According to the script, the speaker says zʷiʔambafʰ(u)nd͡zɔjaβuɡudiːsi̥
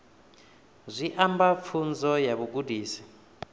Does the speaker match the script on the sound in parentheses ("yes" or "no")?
yes